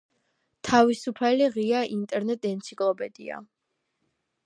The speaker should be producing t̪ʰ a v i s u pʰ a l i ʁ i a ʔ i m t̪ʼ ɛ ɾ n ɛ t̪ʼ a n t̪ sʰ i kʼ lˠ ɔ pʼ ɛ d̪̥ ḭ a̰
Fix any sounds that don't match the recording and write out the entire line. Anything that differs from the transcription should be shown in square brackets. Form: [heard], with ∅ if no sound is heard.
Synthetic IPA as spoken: t̪ʰ a v i s u pʰ a l i ʁ i a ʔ i [n] t̪ʼ ɛ ɾ n ɛ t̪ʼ [ɛ] n t̪ sʰ i kʼ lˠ ɔ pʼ ɛ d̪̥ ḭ a̰